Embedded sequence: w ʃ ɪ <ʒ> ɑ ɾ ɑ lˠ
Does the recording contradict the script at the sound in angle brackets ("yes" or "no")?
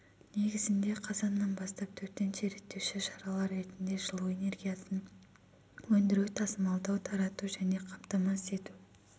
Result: yes